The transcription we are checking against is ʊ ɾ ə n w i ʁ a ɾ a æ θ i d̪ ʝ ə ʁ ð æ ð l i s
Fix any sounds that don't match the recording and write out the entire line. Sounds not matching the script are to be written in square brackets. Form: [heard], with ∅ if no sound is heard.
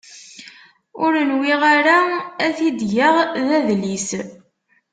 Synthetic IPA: ʊ ɾ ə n w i ʁ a ɾ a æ θ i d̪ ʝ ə ʁ ð æ ð l i s